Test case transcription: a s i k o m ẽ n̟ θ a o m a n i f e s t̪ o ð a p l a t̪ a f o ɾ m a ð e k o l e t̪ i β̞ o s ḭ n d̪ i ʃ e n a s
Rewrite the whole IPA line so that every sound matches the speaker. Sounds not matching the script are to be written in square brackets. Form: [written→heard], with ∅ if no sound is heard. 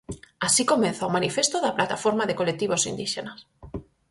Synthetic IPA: a s i k o m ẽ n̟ θ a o m a n i f e s t̪ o ð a p l a t̪ a f o ɾ m a ð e k o l e t̪ i β̞ o s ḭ n d̪ i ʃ e n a s